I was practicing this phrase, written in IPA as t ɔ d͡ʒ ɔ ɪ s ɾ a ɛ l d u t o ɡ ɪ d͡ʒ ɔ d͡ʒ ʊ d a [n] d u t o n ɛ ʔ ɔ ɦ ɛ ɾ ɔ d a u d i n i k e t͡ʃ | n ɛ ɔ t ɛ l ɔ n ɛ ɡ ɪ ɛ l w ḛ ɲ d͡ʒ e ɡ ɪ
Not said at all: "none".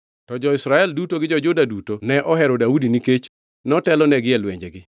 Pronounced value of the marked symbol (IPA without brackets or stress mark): none